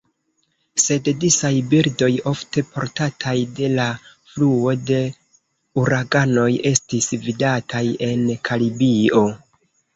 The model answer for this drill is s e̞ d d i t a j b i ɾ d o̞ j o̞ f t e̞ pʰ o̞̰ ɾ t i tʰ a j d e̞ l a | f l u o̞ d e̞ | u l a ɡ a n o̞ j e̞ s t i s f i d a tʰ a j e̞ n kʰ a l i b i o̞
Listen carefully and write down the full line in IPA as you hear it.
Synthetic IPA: s e̞ d d i s a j b i ɾ d o̞ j o̞ f t e̞ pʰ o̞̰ ɾ t a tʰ a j d e̞ l a | f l u o̞ d e̞ | u ɾ a ɡ a n o̞ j e̞ s t i s v i d a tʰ a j e̞ n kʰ a l i b i o̞